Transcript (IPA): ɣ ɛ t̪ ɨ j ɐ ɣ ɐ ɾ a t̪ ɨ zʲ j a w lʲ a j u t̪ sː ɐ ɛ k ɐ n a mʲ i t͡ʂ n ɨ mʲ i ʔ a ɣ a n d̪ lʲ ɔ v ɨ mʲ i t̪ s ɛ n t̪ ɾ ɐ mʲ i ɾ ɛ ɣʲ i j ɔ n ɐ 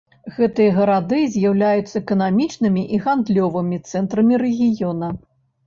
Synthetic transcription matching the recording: ɣ ɛ t̪ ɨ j ɐ ɣ ɐ ɾ a d̪ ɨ zʲ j a w lʲ a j u t̪ sː ɐ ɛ k ɐ n a mʲ i t͡ʂ n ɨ mʲ i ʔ i ɣ a n d̪ lʲ ɔ v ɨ mʲ i t̪ s ɛ n t̪ ɾ ɐ mʲ i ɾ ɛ ɣʲ i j ɔ n ɐ